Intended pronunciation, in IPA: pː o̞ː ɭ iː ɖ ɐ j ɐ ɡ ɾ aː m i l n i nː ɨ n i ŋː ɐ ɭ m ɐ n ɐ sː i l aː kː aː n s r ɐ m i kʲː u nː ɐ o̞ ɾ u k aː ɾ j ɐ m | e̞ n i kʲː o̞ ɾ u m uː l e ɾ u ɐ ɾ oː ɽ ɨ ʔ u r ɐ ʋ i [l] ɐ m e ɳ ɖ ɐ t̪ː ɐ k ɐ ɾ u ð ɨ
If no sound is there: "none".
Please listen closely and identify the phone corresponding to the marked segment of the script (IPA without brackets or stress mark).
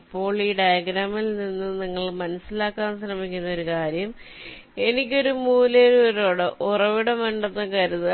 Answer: ɽ